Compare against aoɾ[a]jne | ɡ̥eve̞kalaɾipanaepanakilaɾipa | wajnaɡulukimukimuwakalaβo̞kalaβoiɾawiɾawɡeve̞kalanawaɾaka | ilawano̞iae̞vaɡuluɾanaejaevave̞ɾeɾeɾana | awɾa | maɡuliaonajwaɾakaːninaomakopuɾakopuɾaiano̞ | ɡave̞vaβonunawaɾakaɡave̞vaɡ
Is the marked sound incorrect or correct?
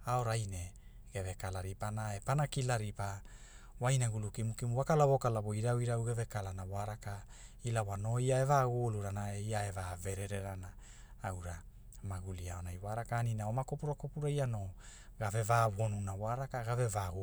correct